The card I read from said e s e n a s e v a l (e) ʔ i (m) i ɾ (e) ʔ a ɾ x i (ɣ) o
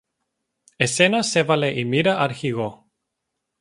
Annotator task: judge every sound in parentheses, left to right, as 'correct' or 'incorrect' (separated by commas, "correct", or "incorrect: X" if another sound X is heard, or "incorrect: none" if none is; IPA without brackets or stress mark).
correct, correct, incorrect: a, correct